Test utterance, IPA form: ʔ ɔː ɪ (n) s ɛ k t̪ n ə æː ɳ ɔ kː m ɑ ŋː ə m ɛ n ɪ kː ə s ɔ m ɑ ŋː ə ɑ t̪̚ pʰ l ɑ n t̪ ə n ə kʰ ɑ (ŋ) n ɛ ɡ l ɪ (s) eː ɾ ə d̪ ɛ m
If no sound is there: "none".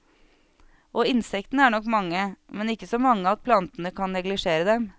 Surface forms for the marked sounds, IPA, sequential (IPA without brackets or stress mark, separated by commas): n, n, ʂ